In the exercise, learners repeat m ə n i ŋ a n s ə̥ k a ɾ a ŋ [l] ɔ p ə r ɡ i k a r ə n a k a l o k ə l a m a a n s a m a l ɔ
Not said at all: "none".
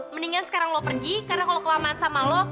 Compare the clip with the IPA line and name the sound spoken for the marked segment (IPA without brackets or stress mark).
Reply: l